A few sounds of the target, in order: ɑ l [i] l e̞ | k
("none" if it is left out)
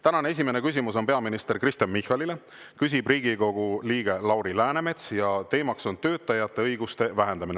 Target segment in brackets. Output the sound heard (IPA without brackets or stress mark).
i